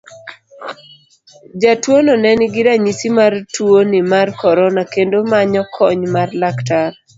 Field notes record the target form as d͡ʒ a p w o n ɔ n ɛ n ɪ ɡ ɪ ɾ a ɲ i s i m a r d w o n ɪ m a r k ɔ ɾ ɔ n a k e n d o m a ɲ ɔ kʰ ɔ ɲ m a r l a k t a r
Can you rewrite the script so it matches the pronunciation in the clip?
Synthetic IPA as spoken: d͡ʒ a t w o n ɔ n ɛ n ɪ ɡ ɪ ɾ a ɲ i s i m a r t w o n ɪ m a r k ɔ ɾ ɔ n a k e n d o m a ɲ ɔ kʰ ɔ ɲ m a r l a k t a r